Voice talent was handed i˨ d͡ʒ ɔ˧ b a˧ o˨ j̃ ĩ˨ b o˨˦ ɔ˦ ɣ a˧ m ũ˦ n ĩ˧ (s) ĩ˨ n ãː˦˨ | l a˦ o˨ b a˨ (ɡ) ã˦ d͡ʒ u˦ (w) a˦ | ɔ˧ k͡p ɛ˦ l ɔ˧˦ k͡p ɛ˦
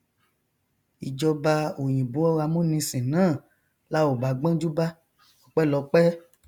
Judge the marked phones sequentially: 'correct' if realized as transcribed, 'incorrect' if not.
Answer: correct, incorrect, incorrect

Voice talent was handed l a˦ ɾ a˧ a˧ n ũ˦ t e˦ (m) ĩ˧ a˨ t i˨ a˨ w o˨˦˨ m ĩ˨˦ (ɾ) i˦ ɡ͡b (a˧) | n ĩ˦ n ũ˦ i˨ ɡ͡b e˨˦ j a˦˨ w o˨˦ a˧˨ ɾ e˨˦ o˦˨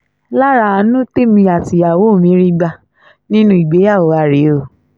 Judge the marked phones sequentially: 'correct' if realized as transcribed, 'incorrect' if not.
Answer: correct, correct, correct

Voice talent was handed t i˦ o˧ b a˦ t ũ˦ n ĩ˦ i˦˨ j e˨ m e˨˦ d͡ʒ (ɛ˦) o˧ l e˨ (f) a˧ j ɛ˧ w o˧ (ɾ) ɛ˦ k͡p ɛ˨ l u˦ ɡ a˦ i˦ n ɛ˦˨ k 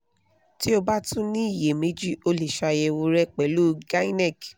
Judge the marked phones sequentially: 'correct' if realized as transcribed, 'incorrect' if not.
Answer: incorrect, incorrect, correct

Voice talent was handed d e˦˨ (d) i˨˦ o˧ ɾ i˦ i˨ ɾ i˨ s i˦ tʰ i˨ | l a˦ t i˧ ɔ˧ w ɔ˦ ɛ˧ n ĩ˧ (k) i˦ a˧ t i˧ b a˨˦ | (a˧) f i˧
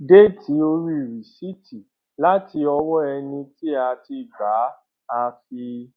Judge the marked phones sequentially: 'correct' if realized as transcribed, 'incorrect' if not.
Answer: incorrect, incorrect, correct

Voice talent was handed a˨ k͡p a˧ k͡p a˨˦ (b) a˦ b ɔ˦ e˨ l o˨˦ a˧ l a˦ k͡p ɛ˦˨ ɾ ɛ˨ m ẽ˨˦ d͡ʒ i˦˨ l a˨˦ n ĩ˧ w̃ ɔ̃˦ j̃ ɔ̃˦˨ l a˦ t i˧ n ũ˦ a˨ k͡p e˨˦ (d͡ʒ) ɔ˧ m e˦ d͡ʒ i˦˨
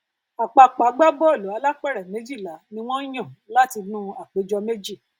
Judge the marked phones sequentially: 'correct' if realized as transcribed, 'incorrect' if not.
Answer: incorrect, correct

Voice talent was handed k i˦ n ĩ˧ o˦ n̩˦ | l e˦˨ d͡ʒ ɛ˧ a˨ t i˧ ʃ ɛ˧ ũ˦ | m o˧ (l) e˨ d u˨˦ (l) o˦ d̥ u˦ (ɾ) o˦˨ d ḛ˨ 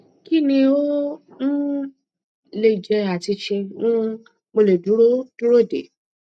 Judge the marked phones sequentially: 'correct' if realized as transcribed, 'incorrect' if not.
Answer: correct, incorrect, correct

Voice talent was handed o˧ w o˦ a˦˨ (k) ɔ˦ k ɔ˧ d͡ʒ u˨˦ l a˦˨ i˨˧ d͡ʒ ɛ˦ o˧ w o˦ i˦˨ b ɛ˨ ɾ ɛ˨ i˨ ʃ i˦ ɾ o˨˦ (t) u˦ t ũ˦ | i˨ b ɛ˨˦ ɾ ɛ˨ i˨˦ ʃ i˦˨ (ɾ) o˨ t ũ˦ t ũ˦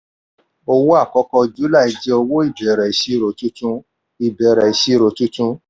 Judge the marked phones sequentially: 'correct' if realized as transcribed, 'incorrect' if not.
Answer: correct, correct, correct

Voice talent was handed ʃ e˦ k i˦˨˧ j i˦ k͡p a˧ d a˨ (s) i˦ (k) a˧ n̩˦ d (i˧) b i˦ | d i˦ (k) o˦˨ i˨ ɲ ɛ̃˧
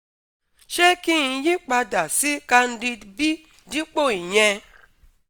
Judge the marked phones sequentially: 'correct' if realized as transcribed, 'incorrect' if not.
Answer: correct, correct, correct, incorrect

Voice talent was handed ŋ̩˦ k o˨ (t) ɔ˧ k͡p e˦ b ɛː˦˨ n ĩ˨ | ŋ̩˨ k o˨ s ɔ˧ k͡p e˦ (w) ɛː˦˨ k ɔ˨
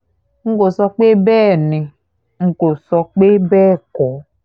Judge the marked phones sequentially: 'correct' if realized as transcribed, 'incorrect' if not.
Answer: incorrect, incorrect

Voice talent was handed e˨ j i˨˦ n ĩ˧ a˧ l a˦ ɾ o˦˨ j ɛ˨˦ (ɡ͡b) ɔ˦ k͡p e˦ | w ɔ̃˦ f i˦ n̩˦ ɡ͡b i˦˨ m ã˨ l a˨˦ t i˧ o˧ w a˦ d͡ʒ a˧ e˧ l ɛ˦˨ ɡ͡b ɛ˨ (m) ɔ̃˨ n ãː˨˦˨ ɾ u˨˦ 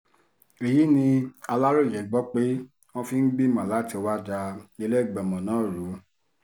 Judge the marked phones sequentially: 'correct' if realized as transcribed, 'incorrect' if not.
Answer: correct, correct

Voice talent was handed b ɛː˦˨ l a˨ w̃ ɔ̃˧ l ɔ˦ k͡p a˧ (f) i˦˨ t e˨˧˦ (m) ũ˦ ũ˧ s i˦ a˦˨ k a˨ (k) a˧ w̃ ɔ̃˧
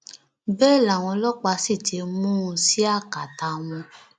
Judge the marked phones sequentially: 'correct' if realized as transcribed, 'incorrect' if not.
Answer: incorrect, correct, incorrect

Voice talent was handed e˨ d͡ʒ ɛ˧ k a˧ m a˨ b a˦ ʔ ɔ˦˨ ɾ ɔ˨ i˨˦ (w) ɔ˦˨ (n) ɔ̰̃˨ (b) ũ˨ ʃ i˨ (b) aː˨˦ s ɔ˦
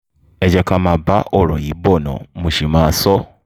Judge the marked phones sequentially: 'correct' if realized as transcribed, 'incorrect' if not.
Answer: incorrect, correct, incorrect, incorrect

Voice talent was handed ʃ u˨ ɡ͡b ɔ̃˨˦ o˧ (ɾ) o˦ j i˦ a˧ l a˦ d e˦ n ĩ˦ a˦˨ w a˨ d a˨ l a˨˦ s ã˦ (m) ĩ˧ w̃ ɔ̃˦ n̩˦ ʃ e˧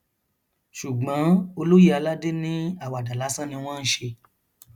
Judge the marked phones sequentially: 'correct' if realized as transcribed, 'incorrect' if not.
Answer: incorrect, incorrect

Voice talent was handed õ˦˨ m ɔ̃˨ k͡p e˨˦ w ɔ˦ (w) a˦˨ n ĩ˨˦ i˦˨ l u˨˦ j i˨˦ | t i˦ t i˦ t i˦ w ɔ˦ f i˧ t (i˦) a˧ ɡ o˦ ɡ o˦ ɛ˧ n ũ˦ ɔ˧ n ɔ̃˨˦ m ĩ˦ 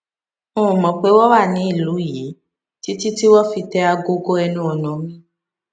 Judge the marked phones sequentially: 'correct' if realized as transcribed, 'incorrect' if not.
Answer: correct, incorrect

